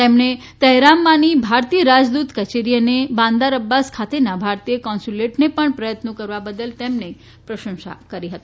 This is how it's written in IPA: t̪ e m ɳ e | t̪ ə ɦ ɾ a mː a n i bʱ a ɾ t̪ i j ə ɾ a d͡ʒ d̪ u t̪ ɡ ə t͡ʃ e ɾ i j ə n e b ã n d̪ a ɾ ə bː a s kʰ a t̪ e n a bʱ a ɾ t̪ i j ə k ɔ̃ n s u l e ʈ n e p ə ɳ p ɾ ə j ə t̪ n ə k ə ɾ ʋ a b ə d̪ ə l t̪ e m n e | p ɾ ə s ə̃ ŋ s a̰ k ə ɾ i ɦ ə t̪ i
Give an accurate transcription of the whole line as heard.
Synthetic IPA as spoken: t̪ e m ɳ e | t̪ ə ɦ ɾ a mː a n i bʱ a ɾ t̪ i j ə ɾ a d͡ʒ d̪ u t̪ k ə t͡ʃ e ɾ i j ə n e b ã n d̪ a ɾ ə bː a s kʰ a t̪ e n a bʱ a ɾ t̪ i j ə k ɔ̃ n s u l e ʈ n e p ə ɳ p ɾ ə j ə t̪ n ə k ə ɾ ʋ a b ə d̪ ə l t̪ e m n e | p ɾ ə ʃ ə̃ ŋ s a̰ k ə ɾ i ɦ ə t̪ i

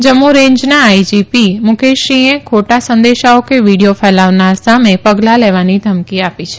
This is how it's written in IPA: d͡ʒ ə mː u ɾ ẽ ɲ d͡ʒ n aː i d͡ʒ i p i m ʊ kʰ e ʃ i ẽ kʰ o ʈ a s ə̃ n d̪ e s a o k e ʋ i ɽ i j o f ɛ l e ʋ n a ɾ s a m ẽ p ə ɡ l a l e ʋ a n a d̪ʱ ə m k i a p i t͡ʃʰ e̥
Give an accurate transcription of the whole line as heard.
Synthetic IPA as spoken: d͡ʒ ə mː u ɾ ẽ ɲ d͡ʒ n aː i d͡ʒ i p i m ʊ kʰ e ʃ i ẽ kʰ o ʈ a s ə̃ n d̪ e ʃ a o k e ʋ i ɽ i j o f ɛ l a ʋ n a ɾ s a m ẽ p ə ɡ l a l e ʋ a n i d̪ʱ ə m k i a p i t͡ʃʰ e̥

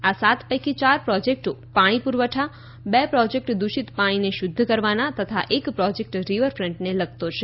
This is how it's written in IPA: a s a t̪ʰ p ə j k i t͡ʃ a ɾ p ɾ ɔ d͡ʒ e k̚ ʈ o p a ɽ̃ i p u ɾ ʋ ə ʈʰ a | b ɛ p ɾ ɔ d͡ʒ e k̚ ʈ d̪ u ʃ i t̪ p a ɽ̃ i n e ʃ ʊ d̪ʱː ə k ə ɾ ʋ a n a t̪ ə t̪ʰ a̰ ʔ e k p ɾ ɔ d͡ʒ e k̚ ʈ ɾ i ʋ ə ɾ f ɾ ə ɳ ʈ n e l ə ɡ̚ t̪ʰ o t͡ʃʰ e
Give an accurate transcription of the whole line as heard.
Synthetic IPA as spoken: a s a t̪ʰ p ə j k i t͡ʃ a ɾ p ɾ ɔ d͡ʒ e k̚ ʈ o p a ɽ̃ i p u ɾ ʋ ə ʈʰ a | b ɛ p ɾ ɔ d͡ʒ e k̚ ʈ d̪ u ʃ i t̪ p a ɽ̃ i n e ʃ ʊ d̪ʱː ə k ə ɾ ʋ a n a t̪ ə t̪ʰ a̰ ʔ e k p ɾ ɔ d͡ʒ e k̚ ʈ ɾ i ʋ ə ɾ f ɾ ə ɳ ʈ n e l ə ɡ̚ t̪ o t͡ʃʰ e

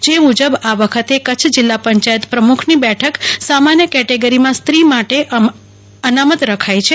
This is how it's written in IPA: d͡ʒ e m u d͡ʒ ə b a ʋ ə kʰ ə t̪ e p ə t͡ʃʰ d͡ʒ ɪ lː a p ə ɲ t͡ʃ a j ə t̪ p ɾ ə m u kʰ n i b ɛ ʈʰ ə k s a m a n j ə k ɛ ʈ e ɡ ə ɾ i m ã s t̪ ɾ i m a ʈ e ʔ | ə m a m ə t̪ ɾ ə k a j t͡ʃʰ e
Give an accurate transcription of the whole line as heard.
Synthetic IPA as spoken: d͡ʒ e m u d͡ʒ ə b a ʋ ə kʰ ə t̪ e k ə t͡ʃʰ d͡ʒ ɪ lː a p ə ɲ t͡ʃ a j ə t̪ p ɾ ə m u kʰ n i b ɛ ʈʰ ə k s a m a n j ə k ɛ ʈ e ɡ ə ɾ i m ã s t̪ ɾ i m a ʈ e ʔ | ə n a m ə t̪ ɾ ə kʰ a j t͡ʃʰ e

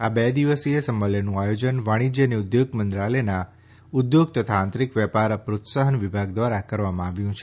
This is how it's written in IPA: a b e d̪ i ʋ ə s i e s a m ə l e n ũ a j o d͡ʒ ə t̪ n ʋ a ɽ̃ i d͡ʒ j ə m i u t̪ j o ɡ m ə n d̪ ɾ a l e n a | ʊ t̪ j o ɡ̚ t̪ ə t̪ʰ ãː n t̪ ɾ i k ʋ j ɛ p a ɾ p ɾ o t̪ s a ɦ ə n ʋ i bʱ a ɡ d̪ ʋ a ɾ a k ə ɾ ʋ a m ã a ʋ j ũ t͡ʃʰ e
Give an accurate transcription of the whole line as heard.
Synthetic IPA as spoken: a b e d̪ i ʋ ə s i e s ə m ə l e n ũ a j o d͡ʒ ə n ʋ a ɽ̃ i d͡ʒ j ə n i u d̪ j o ɡ m ə n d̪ ɾ a l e n a | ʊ d̪ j o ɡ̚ t̪ ə t̪ʰ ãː n t̪ ɾ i k ʋ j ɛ p a ɾ p ɾ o t̪ s a ɦ ə n ʋ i bʱ a ɡ d̪ ʋ a ɾ a k ə ɾ ʋ a m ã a ʋ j ũ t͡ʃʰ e

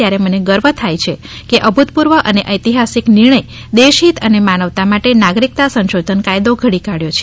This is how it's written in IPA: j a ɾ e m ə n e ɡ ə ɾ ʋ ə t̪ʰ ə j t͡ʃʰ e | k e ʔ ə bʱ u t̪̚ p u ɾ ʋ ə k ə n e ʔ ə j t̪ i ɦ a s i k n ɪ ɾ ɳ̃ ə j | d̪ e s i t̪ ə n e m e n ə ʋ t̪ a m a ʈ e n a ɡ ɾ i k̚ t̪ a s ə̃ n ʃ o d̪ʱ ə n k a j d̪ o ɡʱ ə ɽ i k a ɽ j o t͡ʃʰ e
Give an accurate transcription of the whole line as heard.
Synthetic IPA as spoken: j a ɾ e m ə n e ɡ ə ɾ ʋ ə t̪ʰ a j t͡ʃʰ e | k e ʔ ə bʱ u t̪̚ p u ɾ ʋ ə ʔ ə n e ʔ ə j t̪ i ɦ a s i k n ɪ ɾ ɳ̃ ə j | d̪ e ʃ i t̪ ə n e m a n ə ʋ t̪ a m a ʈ e n a ɡ ɾ i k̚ t̪ a s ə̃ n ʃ o d̪ʱ ə n k a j d̪ o ɡʱ ə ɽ i k a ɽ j o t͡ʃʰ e

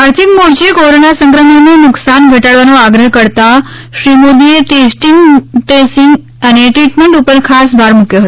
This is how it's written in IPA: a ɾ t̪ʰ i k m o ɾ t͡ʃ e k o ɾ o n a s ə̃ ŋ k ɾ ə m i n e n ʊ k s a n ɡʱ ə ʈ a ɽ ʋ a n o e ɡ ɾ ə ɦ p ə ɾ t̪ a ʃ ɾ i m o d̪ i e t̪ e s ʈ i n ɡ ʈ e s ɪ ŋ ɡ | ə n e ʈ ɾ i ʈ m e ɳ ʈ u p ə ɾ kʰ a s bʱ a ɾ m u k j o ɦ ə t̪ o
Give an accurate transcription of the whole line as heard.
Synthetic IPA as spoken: a ɾ t̪ʰ i k m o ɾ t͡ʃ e k o ɾ o n a s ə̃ ŋ k ɾ ə m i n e n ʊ k s a n ɡʱ ə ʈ a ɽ ʋ a n o a ɡ ɾ ə ɦ k ə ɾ t̪ a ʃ ɾ i m o d̪ i e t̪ e s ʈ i ŋ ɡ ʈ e s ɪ ŋ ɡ | ə n e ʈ ɾ i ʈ m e ɳ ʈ u p ə ɾ kʰ a s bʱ a ɾ m u k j o ɦ ə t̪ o

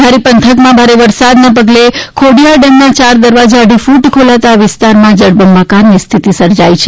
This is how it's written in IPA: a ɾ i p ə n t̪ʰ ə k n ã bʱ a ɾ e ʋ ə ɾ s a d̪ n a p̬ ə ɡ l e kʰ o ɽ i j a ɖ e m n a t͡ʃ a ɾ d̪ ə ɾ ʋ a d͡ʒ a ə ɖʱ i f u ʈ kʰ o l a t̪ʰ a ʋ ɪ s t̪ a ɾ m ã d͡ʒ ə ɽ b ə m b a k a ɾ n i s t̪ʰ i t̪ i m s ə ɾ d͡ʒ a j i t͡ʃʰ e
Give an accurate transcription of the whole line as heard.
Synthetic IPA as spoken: a ɾ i p ə n t̪ʰ ə k m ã bʱ a ɾ e ʋ ə ɾ s a d̪ n a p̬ ə ɡ l e kʰ o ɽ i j a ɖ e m n a t͡ʃ a ɾ d̪ ə ɾ ʋ a d͡ʒ a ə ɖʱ i f u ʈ kʰ o l a t̪ a ʋ ɪ s t̪ a ɾ m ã d͡ʒ ə ɽ b ə m b a k a ɾ n i s t̪ʰ i t̪ i s ə ɾ d͡ʒ a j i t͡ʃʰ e

